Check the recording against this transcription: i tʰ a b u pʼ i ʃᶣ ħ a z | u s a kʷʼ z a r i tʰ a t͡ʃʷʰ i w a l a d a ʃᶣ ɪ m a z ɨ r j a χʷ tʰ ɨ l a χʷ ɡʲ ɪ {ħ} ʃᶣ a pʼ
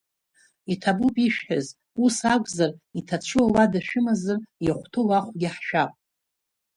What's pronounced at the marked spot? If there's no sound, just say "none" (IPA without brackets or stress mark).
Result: ħ